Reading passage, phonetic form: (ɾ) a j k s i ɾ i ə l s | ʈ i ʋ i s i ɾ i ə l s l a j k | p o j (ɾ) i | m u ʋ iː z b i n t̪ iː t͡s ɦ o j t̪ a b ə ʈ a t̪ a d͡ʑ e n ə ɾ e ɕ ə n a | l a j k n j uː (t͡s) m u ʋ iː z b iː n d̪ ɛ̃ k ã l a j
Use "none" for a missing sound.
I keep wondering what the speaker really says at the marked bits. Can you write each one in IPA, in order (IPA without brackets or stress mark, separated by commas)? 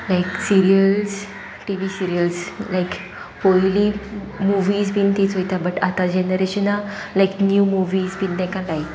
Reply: l, l, none